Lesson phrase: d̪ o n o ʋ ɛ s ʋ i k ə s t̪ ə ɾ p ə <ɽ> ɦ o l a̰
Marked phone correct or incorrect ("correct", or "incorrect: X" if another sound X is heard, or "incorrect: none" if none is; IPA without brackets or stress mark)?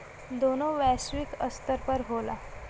incorrect: ɾ